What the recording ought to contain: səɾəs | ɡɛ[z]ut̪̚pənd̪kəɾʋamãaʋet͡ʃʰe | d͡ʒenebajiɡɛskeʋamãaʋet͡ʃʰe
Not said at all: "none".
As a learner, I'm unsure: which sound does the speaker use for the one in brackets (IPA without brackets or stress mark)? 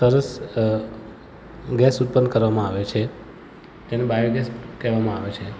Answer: s